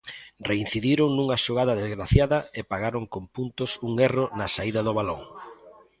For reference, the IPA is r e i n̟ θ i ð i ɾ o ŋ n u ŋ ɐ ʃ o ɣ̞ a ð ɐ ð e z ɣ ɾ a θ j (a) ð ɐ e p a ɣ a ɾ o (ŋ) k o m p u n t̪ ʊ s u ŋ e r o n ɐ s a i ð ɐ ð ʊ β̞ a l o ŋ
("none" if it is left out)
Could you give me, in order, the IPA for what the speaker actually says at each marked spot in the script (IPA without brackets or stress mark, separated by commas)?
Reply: a, ŋ